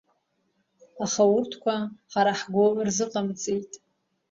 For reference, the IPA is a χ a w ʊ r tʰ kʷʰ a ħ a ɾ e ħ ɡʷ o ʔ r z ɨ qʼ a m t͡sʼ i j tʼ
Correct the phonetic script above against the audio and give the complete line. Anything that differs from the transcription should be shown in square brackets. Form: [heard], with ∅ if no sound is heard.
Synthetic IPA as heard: a χ a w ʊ r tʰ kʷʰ a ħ a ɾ [a] ħ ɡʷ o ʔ r z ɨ qʼ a m t͡sʼ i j tʼ